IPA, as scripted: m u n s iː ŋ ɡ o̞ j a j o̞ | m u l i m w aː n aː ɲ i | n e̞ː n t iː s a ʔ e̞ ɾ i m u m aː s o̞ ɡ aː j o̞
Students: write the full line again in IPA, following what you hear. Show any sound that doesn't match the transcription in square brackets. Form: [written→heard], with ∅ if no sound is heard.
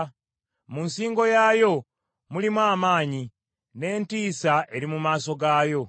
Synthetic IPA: m u n s iː ŋ ɡ o̞ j a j o̞ | m u l i m w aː [n→m] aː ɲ i | n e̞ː n t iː s a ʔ e̞ ɾ i m u m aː s o̞ ɡ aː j o̞